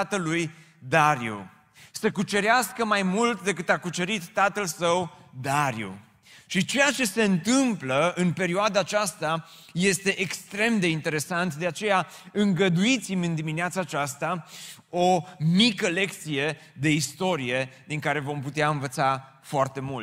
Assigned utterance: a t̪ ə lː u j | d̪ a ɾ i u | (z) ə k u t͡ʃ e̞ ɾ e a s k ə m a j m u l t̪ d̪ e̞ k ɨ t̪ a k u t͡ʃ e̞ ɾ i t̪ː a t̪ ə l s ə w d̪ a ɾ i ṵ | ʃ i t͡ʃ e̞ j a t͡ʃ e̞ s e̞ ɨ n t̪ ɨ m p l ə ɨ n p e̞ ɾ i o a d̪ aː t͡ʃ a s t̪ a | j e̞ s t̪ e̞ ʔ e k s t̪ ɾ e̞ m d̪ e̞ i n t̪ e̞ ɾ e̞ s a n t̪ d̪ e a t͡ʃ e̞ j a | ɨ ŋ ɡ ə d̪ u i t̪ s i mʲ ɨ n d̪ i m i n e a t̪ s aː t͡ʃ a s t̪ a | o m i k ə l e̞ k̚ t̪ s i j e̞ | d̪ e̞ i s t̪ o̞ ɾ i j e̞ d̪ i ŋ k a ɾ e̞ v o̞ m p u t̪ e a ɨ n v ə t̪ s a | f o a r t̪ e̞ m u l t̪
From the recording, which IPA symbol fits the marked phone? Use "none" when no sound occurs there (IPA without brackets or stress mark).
s